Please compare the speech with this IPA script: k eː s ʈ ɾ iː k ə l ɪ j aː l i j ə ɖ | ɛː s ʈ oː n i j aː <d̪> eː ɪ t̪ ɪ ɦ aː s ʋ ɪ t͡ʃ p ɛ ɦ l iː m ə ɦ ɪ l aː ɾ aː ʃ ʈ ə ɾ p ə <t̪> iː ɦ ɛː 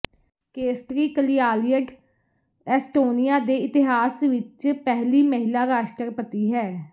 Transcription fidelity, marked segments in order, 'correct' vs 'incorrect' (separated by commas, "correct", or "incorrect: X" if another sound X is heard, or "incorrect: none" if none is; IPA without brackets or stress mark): correct, correct